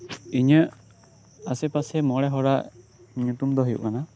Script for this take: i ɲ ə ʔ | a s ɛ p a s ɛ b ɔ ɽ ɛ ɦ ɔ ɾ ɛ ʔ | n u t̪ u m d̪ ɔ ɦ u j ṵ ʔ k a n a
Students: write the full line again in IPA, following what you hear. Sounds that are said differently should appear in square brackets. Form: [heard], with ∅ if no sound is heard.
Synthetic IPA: i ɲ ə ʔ | a s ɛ p a s ɛ [m] ɔ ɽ ɛ ɦ ɔ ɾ [a] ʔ | [ɲ] u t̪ u m d̪ ɔ ɦ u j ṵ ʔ k a n a